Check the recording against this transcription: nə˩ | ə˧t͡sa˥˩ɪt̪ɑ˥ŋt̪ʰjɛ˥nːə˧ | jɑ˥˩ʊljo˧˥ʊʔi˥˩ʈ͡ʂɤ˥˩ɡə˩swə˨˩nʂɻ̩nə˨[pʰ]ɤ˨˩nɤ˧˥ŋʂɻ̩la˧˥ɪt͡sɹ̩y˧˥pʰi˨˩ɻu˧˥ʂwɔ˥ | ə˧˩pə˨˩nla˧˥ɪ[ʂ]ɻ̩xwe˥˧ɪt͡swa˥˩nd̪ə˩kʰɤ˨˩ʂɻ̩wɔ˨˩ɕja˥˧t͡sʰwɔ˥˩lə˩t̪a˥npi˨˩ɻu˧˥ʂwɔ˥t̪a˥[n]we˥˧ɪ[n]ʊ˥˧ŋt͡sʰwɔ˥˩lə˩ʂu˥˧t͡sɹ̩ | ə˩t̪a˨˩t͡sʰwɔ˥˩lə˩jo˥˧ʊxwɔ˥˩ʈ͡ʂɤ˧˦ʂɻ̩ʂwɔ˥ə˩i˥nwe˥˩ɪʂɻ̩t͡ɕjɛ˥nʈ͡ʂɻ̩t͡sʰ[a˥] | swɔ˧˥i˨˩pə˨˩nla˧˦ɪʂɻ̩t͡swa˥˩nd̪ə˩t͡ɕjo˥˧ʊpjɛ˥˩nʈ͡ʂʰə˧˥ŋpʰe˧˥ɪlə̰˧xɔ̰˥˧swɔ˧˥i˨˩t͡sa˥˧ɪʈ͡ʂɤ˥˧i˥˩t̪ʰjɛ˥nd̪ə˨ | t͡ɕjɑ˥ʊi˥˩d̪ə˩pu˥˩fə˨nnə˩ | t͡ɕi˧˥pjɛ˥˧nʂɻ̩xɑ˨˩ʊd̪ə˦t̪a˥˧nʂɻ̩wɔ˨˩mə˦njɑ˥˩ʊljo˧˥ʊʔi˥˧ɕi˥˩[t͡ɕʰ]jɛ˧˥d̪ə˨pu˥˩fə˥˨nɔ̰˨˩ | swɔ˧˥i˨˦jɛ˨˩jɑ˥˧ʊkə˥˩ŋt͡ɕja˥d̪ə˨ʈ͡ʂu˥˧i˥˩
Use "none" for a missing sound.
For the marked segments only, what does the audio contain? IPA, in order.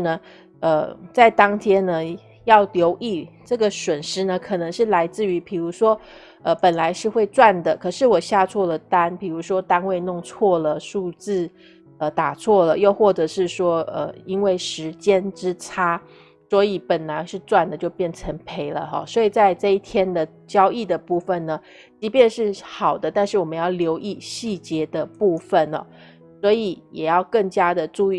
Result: kʰ, ʂ, n, n, a˥, t͡ɕ

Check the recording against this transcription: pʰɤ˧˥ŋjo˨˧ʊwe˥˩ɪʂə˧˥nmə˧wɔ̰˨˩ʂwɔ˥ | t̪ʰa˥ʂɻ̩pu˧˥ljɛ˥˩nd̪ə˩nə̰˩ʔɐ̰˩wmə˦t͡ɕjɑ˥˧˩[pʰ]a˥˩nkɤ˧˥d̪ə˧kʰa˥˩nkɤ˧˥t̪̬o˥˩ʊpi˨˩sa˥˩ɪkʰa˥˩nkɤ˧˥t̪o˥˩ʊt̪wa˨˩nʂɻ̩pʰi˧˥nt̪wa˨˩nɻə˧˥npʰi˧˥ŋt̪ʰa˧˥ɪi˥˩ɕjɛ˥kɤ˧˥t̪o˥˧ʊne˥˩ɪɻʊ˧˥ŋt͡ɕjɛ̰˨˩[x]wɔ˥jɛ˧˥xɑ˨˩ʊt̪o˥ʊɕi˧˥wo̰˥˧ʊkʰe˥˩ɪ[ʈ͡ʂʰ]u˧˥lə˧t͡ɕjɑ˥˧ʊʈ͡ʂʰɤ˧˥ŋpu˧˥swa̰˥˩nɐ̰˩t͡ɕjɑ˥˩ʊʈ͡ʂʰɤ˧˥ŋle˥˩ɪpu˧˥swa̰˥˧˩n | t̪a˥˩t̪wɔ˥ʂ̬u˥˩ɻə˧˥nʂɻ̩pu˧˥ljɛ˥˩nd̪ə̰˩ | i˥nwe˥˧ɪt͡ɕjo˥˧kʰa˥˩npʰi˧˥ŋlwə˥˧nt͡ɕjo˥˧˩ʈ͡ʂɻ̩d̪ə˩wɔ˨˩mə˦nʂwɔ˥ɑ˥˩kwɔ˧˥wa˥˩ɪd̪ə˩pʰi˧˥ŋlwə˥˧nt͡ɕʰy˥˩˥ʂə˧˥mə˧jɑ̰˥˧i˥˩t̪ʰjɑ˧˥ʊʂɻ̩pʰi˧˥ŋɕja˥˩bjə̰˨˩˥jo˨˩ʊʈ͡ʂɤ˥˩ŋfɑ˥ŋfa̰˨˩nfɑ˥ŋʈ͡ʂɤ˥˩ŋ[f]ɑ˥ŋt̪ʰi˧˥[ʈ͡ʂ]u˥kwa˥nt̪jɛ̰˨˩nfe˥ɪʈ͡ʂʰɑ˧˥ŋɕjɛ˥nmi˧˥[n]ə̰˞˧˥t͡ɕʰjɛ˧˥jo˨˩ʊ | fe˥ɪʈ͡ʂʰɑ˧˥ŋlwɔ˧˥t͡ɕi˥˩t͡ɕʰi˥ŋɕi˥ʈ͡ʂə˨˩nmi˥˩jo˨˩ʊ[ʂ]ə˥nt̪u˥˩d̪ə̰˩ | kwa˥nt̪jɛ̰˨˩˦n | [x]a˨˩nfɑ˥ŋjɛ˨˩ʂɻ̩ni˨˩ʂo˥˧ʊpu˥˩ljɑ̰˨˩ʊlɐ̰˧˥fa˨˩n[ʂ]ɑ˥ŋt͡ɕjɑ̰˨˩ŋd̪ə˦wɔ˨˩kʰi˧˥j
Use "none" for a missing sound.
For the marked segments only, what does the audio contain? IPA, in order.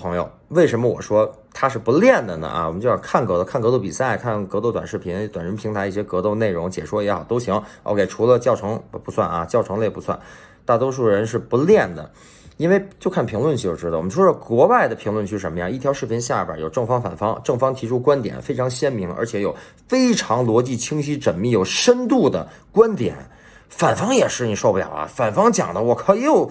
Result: kʰ, ʂ, ʈ͡ʂʰ, f, ʈ͡ʂʰ, ŋ, ʂ, f, f

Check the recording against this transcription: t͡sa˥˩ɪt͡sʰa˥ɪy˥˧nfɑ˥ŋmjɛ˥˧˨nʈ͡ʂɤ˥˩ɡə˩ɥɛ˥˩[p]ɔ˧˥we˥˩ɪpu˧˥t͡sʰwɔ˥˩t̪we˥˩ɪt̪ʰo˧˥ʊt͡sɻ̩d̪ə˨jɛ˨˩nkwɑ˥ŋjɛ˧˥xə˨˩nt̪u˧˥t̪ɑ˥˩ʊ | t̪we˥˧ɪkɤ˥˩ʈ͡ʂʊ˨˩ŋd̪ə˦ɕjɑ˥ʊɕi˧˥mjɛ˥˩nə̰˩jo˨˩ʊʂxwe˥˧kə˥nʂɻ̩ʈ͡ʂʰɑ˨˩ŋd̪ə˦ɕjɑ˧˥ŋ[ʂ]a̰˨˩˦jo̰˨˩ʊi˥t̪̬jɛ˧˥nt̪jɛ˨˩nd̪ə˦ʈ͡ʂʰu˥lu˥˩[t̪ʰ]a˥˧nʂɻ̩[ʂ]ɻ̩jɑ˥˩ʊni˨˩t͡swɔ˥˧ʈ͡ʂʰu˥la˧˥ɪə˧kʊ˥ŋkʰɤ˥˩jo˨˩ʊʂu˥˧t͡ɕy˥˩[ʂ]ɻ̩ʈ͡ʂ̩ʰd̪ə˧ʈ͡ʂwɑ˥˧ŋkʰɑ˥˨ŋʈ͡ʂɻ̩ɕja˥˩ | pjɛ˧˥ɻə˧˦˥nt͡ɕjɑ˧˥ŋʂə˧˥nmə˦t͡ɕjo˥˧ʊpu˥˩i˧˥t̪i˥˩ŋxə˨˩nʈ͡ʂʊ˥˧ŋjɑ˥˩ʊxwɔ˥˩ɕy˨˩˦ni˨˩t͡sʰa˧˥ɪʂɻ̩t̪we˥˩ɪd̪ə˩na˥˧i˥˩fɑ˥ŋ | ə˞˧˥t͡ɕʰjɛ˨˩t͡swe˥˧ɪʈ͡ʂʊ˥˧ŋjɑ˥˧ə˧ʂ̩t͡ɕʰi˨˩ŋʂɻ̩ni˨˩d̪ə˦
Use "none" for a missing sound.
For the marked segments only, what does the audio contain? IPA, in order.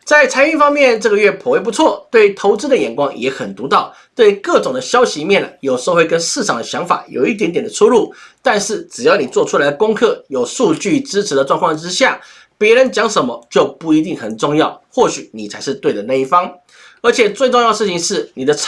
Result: pʰ, f, t̪, ʈ͡ʂ, ʈ͡ʂ

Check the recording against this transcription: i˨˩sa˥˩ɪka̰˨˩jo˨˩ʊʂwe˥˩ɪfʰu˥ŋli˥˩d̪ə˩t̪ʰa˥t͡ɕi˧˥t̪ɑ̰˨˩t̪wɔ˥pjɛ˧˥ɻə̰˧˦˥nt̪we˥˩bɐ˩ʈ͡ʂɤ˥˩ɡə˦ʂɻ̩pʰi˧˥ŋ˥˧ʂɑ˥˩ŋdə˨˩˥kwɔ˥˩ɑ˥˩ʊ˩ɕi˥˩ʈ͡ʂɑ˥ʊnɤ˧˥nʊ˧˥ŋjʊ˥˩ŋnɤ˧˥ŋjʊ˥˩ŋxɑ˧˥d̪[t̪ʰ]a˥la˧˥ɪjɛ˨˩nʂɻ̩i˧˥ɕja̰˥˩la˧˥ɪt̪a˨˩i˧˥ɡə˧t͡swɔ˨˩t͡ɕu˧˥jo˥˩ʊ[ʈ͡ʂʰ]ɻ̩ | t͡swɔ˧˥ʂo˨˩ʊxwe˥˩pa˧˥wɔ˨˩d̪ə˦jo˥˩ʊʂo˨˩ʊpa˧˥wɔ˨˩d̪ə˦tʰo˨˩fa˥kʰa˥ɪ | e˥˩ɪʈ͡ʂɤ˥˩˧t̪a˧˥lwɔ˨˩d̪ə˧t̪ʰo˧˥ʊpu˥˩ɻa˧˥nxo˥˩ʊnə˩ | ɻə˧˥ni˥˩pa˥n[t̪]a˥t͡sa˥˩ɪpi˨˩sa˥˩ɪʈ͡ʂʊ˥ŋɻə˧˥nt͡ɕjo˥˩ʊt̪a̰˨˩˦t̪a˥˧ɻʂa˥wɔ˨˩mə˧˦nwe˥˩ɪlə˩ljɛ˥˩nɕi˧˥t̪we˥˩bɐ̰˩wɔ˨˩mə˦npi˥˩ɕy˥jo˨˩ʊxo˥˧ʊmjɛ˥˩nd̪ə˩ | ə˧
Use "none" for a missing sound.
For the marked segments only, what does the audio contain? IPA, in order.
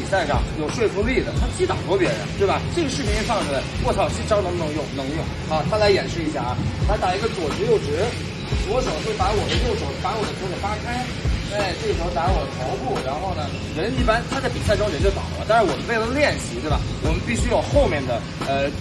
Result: t̪ʰ, ʈ͡ʂ, t̪ʰ

